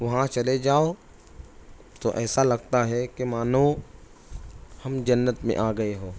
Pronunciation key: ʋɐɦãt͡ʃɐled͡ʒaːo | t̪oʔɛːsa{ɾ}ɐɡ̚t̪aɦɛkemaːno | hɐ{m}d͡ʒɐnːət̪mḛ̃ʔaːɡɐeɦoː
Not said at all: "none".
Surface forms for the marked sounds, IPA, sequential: l, m

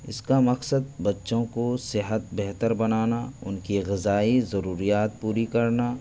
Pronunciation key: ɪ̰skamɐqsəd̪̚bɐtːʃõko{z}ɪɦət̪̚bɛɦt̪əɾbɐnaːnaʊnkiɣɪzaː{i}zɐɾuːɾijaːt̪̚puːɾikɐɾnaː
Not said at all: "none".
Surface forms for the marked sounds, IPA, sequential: s, i

